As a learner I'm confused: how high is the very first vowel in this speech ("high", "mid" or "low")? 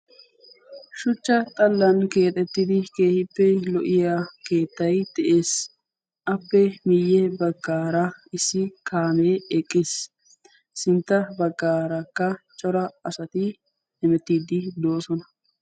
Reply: high